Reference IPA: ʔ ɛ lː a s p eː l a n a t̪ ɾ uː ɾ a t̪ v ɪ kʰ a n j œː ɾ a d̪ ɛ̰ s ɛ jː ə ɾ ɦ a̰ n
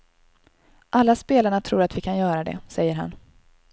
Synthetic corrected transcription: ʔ a lː a s p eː l a ɳ a t̪ʰ ɾ uː ɾ a t̪ v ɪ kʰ a n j œː ɾ a d̪ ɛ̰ s ɛ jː ə ɾ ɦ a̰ n